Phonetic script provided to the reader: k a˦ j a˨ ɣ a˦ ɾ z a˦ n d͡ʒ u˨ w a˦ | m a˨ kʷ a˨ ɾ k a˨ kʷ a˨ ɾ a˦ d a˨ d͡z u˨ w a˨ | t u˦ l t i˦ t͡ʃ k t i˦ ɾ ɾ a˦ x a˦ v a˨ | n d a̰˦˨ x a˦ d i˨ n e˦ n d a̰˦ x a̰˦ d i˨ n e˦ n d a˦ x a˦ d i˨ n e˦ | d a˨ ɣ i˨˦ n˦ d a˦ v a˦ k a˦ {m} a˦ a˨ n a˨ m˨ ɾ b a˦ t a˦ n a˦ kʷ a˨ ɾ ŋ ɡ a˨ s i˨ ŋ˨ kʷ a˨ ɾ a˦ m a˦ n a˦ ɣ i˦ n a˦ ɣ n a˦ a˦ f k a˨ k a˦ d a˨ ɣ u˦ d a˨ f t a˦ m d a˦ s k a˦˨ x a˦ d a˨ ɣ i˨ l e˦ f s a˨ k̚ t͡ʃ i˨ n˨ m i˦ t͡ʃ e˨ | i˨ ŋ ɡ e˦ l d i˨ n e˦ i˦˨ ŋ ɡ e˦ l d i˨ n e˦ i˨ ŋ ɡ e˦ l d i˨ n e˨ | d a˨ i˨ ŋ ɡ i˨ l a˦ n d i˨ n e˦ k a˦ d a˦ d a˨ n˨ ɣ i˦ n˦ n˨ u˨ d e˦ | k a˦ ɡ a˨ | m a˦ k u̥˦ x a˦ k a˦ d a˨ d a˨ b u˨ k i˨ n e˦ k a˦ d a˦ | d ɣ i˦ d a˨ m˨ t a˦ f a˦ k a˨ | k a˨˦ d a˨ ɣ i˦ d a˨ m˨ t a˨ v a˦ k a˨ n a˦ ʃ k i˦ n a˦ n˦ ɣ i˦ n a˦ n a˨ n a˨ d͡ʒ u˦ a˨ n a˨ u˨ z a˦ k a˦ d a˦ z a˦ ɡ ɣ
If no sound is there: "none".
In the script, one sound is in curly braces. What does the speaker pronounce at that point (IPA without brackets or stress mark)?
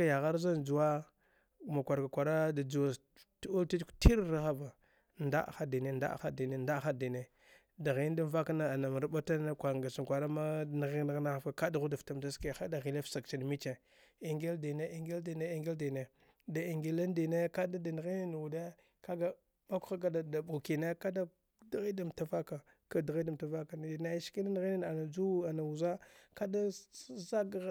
n